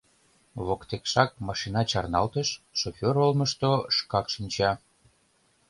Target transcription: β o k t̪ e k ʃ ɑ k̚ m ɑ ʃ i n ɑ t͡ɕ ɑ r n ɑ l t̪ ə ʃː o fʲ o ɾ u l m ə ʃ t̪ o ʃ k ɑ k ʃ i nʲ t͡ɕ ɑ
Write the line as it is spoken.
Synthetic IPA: β o k t̪ e k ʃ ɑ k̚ m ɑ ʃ i n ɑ t͡ɕ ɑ r n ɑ l t̪ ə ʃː o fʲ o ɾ o l m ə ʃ t̪ o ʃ k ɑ k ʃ i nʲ t͡ɕ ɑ